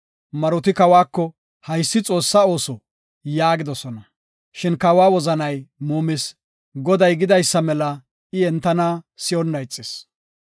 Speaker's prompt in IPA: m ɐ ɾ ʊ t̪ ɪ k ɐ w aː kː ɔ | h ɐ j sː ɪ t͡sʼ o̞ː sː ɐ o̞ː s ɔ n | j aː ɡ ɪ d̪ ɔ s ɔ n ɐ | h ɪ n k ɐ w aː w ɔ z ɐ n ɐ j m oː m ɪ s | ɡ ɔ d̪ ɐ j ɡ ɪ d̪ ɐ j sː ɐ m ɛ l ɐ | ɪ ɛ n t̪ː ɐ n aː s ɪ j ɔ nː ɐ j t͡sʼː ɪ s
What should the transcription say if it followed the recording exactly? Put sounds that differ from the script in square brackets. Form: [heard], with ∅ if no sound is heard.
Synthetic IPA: m ɐ ɾ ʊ t̪ ɪ k ɐ w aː kː ɔ | h ɐ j sː ɪ t͡sʼ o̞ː sː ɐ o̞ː s ɔ [∅] | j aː ɡ ɪ d̪ ɔ s ɔ n ɐ | [ʃ] ɪ n k ɐ w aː w ɔ z ɐ n ɐ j m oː m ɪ s | ɡ ɔ d̪ ɐ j ɡ ɪ d̪ ɐ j sː ɐ m ɛ l ɐ | ɪ ɛ n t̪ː ɐ n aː s ɪ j ɔ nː ɐ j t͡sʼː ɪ s

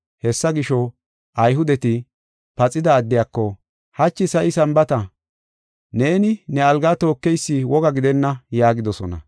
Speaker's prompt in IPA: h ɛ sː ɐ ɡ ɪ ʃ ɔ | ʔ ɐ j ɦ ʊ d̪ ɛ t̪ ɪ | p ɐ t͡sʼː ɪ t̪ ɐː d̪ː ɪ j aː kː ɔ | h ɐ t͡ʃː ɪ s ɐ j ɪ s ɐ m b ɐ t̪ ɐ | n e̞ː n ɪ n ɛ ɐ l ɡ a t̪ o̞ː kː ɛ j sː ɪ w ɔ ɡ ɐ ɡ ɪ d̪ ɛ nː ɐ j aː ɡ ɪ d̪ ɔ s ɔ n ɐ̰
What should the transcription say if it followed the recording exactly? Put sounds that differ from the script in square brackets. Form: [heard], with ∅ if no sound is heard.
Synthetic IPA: h ɛ sː ɐ ɡ ɪ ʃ ɔ | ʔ ɐ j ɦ ʊ d̪ ɛ t̪ ɪ | p ɐ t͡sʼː ɪ [d̪] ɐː d̪ː ɪ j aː kː ɔ | h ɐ t͡ʃː ɪ s ɐ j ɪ s ɐ m b ɐ t̪ ɐ | n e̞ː n ɪ n ɛ ɐ l ɡ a t̪ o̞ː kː ɛ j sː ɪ w ɔ ɡ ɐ ɡ ɪ d̪ ɛ nː ɐ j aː ɡ ɪ d̪ ɔ s ɔ n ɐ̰

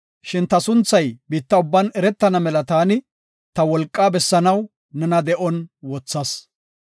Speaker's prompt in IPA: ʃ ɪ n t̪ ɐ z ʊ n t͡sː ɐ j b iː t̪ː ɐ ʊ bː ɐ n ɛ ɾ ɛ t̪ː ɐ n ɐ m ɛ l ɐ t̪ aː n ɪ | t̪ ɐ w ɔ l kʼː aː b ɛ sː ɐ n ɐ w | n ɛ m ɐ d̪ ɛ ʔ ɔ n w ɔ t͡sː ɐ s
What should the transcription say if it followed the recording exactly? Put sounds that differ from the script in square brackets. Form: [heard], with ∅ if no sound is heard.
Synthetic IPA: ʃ ɪ n t̪ ɐ [s] ʊ n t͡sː ɐ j b iː t̪ː ɐ ʊ bː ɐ n ɛ ɾ ɛ t̪ː ɐ n ɐ m ɛ l ɐ t̪ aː n ɪ | t̪ ɐ w ɔ l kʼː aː b ɛ sː ɐ n ɐ w | n ɛ [n] ɐ d̪ ɛ ʔ ɔ n w ɔ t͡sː ɐ s

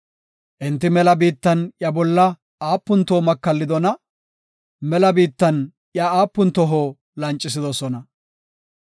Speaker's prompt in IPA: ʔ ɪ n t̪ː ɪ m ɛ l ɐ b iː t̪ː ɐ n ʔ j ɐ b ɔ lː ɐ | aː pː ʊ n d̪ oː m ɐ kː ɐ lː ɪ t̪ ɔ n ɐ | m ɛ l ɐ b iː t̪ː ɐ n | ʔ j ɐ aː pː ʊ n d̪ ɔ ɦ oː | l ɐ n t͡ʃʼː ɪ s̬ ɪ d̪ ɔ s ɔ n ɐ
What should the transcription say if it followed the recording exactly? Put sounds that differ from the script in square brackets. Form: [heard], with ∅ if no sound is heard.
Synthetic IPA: ʔ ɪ n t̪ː ɪ m ɛ l ɐ b iː t̪ː ɐ n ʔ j ɐ b ɔ lː ɐ | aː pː ʊ n [t̪] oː m ɐ kː ɐ lː ɪ [d̪] ɔ n ɐ | m ɛ l ɐ b iː t̪ː ɐ n | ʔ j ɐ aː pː ʊ n [t̪] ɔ ɦ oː | l ɐ n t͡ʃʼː ɪ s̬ ɪ d̪ ɔ s ɔ n ɐ

